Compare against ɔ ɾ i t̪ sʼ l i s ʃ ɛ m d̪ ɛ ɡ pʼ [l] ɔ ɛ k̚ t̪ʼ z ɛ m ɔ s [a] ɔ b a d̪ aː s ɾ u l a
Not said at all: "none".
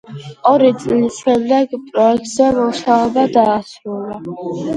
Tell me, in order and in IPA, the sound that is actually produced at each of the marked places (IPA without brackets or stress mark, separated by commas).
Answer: ɾ, a